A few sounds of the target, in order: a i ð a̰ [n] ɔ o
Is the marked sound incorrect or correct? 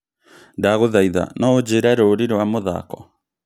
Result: correct